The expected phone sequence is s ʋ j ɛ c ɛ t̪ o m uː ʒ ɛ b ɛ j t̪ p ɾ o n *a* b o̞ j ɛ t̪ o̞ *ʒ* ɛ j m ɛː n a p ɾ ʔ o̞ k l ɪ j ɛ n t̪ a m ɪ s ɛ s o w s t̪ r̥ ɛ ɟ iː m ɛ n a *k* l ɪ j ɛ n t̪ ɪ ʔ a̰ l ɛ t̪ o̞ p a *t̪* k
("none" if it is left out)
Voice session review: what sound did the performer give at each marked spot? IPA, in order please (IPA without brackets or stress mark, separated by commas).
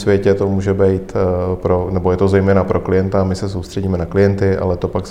ɛ, z, k, none